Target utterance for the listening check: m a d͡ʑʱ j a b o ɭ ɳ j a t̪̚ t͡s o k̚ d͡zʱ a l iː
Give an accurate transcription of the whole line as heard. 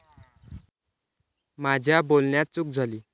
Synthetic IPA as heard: m a d͡ʑʱ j a b o l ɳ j a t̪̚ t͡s u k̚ d͡zʱ a l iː